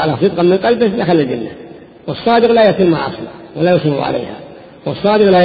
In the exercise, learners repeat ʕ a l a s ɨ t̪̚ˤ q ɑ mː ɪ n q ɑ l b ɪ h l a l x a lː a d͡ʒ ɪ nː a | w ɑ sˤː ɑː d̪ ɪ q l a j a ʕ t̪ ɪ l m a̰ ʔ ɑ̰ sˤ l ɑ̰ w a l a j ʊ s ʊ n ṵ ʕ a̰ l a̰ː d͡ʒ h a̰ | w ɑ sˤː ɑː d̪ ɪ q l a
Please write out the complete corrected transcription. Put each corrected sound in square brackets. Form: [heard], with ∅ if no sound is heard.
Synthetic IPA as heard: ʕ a l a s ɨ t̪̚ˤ q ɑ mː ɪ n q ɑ l b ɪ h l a [∅] x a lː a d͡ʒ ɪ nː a | w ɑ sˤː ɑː d̪ ɪ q l a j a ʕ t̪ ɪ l m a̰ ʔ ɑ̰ sˤ l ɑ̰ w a l a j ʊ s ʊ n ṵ ʕ a̰ l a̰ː [∅] h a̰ | w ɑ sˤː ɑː d̪ ɪ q l a